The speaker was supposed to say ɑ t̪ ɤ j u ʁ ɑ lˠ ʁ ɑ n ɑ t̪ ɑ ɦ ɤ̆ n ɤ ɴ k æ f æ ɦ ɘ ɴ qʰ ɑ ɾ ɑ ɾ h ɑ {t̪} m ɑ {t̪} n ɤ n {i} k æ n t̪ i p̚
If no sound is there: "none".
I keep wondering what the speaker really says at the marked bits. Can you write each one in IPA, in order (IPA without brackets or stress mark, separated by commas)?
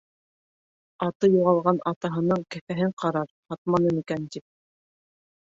t̪, none, i